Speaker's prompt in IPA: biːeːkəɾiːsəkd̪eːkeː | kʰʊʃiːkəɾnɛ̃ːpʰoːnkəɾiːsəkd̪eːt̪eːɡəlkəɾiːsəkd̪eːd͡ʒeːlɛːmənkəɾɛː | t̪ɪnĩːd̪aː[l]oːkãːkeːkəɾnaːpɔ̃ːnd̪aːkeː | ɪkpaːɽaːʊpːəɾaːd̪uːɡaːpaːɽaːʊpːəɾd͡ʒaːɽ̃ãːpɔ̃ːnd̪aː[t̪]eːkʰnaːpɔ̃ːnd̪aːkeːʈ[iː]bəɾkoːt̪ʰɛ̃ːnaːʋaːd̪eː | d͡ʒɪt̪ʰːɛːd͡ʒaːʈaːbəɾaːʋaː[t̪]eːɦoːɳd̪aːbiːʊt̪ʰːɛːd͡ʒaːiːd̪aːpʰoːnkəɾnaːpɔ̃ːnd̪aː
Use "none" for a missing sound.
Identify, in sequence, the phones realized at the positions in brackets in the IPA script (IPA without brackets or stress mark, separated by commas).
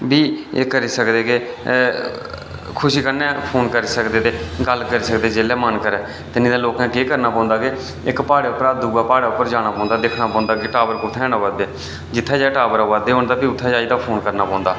l, d̪, aː, d̪